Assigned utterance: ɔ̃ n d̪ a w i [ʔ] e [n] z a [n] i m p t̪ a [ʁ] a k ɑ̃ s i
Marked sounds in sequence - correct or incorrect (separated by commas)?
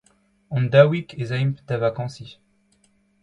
incorrect, incorrect, incorrect, incorrect